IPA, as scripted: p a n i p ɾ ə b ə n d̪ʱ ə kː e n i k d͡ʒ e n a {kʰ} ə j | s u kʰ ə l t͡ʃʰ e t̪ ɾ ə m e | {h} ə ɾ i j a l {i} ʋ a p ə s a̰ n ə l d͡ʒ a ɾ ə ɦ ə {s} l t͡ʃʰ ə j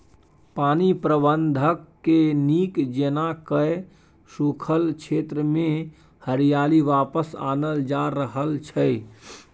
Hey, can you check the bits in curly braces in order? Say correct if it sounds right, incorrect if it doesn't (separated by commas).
incorrect, correct, correct, incorrect